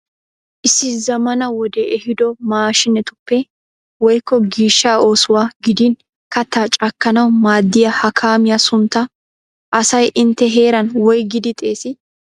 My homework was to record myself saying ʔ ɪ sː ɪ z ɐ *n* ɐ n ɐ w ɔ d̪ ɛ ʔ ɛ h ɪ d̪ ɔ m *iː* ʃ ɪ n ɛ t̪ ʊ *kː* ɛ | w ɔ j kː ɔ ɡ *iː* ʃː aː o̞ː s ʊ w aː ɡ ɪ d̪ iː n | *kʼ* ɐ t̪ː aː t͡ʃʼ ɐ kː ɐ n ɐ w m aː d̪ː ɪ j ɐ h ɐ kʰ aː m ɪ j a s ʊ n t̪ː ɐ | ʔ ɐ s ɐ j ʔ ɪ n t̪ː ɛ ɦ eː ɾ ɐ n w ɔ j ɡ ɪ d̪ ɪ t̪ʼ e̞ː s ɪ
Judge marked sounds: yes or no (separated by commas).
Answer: no, no, no, yes, no